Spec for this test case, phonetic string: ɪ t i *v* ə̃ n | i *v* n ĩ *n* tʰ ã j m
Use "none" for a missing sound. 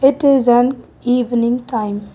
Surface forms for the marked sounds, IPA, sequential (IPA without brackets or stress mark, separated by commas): z, v, ŋ